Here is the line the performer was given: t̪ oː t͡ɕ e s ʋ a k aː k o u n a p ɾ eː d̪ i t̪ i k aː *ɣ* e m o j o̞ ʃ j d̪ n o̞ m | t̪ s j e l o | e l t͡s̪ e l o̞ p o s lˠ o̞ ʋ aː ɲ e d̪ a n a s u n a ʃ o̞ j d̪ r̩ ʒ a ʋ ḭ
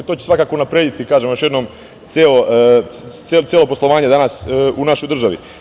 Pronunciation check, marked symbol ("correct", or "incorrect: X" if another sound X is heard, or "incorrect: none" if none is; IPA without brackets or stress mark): incorrect: ʒ